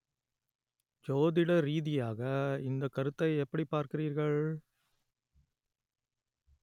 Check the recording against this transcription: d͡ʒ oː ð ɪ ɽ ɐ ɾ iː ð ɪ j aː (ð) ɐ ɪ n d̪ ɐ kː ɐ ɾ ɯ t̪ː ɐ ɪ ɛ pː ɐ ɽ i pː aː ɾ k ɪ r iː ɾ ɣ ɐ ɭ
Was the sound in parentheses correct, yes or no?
no